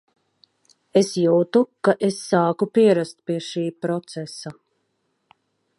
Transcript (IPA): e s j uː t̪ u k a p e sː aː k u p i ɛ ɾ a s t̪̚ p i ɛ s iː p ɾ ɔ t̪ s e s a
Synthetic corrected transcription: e s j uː t̪ u k a ʔ e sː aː k u p i ɛ ɾ a s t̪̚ p i ɛ ʃ iː p ɾ ɔ t̪ s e s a